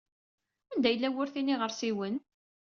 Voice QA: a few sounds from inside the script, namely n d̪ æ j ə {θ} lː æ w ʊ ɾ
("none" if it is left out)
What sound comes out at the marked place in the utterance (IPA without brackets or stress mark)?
none